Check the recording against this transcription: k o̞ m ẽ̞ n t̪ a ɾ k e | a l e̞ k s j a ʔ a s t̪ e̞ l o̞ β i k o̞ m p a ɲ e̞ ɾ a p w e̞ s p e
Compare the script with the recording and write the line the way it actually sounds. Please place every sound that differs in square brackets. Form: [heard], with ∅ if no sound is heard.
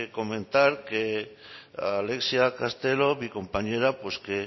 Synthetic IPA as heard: k o̞ m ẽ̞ n t̪ a ɾ k e | a l e̞ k s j a [k] a s t̪ e̞ l o̞ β i k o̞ m p a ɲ e̞ ɾ a p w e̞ s [k] e